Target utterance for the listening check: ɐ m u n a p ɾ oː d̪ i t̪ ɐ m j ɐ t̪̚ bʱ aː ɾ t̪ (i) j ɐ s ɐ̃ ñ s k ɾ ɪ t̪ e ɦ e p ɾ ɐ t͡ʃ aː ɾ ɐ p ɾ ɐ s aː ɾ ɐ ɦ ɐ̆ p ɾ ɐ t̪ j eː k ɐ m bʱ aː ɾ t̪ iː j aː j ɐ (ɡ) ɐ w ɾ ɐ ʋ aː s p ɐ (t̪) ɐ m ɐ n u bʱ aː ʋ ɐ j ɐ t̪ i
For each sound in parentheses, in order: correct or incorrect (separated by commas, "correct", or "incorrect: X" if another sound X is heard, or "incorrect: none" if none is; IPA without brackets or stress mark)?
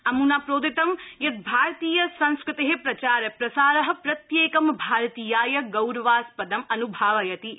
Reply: incorrect: iː, correct, incorrect: d̪